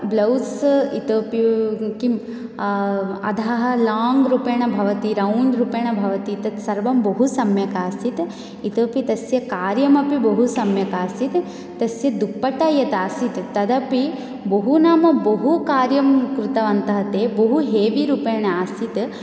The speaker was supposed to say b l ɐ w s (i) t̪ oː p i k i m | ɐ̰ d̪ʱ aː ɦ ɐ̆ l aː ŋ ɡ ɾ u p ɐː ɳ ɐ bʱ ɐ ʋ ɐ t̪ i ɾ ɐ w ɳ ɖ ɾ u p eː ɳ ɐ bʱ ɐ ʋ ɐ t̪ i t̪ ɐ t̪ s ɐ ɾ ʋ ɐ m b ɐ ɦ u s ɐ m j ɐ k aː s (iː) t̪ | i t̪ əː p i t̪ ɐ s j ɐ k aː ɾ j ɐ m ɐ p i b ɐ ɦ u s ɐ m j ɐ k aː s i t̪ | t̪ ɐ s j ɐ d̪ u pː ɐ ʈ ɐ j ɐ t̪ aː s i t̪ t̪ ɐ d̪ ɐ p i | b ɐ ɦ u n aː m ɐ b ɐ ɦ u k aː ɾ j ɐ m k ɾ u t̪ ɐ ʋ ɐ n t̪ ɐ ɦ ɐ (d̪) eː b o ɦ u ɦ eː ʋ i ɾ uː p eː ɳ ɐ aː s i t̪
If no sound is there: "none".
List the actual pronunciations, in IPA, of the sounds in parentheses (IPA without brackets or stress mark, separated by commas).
i, i, t̪